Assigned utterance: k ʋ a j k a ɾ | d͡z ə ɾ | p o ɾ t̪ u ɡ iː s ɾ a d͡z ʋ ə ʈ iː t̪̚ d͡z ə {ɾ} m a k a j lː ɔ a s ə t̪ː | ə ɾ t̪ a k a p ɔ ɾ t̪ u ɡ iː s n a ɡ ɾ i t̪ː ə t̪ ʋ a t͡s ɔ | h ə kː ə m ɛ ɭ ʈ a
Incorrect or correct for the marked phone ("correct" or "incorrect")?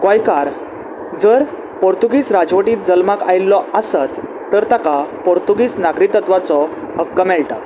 incorrect